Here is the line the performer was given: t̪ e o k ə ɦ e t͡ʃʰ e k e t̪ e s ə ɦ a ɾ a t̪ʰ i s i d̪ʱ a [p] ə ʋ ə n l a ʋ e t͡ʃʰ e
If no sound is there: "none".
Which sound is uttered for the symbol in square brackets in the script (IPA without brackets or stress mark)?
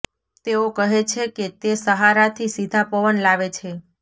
p